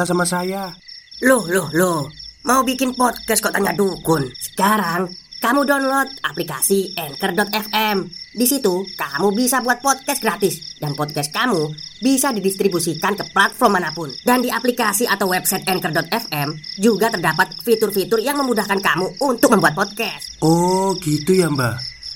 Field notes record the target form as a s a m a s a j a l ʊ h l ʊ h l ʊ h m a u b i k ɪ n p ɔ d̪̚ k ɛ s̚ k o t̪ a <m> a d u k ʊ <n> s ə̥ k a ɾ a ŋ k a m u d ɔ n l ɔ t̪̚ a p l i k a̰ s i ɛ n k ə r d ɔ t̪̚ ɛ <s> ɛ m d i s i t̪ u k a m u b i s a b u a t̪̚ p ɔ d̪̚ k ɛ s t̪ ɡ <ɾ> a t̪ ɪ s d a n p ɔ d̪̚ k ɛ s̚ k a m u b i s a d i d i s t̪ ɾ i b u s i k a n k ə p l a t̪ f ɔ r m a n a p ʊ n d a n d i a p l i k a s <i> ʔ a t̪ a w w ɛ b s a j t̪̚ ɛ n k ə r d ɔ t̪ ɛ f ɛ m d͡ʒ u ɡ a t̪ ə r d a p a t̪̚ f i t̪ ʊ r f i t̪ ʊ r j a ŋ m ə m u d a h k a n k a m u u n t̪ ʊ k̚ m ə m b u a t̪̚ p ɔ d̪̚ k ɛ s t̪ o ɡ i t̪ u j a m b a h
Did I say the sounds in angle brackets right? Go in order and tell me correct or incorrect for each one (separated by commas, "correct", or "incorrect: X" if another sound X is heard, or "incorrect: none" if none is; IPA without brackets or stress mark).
incorrect: ɲ, correct, incorrect: f, correct, correct